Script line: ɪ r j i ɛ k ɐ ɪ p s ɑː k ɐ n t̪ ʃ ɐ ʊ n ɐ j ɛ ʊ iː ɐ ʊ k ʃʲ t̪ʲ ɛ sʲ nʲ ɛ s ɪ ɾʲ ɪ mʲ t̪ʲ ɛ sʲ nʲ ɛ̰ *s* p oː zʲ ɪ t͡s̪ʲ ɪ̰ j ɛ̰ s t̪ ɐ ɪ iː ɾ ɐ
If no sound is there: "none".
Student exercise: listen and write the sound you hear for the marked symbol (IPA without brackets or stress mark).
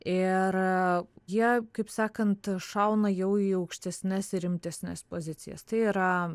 s